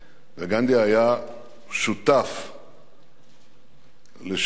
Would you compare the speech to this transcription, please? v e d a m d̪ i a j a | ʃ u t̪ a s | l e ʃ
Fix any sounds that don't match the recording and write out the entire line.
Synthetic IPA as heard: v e ɡ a n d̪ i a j a | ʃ u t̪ a f | l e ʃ